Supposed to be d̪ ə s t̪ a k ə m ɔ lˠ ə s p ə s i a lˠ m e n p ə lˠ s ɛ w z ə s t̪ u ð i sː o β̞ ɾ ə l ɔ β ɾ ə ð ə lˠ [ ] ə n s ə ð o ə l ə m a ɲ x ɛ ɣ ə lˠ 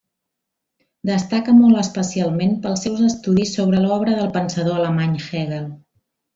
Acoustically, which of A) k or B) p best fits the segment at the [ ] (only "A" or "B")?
B